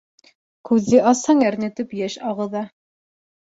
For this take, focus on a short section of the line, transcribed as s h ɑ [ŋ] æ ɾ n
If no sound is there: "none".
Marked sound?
ŋ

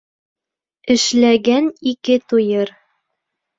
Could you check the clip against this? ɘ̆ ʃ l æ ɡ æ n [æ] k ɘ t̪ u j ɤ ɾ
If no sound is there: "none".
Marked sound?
i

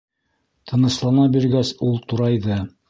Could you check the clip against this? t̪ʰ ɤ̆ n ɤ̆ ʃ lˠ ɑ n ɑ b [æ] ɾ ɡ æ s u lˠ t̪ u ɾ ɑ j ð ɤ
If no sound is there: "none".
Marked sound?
i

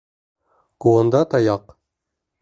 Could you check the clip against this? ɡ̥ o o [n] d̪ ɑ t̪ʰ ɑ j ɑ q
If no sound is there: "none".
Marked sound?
n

